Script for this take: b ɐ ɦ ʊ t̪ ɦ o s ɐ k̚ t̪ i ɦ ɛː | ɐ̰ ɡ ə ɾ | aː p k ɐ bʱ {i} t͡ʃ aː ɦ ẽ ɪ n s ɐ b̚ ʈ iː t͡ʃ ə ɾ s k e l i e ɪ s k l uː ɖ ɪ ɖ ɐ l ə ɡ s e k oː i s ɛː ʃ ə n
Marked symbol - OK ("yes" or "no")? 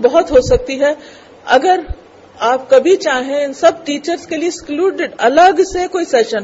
yes